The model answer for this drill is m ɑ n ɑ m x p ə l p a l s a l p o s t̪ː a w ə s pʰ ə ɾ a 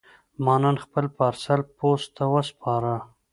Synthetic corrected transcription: m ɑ n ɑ n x p ə l p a ɾ s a l p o s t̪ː a w ə s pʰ ɑ ɾ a